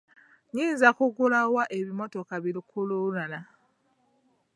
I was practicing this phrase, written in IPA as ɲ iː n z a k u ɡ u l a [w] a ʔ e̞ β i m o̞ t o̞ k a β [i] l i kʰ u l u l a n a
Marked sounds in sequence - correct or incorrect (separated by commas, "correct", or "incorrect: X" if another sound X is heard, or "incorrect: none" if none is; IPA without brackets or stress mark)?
correct, correct